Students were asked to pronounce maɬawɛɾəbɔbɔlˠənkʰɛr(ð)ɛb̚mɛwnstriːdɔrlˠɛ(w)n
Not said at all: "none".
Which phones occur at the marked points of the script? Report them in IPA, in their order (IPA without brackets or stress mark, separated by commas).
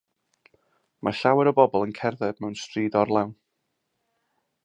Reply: ð, w